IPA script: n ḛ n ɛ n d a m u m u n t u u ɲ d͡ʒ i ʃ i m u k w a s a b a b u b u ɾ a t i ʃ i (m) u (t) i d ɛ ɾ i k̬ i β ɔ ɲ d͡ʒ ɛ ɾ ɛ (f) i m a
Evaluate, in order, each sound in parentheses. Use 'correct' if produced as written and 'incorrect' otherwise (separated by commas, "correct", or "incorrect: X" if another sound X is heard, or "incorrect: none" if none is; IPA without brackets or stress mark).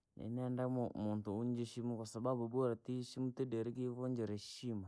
correct, correct, incorrect: ʃ